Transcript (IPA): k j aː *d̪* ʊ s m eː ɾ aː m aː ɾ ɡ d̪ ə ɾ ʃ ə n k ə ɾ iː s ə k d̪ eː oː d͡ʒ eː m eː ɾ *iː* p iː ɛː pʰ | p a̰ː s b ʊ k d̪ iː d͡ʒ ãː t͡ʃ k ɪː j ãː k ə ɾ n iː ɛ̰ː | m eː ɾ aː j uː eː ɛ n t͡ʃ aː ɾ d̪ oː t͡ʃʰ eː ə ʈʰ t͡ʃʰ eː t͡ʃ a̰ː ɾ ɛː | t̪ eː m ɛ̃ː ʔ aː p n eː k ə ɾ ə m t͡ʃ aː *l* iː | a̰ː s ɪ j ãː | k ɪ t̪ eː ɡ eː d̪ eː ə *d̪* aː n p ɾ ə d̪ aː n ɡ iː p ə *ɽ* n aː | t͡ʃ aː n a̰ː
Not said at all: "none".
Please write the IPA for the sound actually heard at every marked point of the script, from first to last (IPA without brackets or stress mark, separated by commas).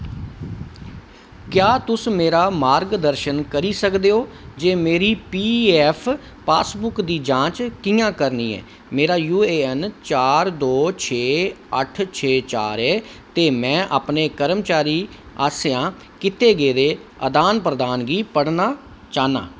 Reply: t̪, iː, ɾ, d̪, ɽ